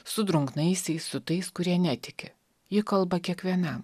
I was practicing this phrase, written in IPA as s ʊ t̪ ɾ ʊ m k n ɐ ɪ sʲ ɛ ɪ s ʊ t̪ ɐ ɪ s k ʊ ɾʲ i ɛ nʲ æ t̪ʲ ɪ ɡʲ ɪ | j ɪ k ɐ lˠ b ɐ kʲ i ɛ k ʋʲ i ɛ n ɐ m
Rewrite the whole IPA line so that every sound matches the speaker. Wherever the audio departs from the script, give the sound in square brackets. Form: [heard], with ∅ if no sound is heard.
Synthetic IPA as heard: s ʊ [d̪] ɾ ʊ [ŋ] k n ɐ ɪ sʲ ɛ ɪ s ʊ t̪ ɐ ɪ s k ʊ ɾʲ i ɛ nʲ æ t̪ʲ ɪ [kʲ] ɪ | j ɪ k ɐ lˠ b ɐ kʲ i ɛ k ʋʲ i ɛ n ɐ m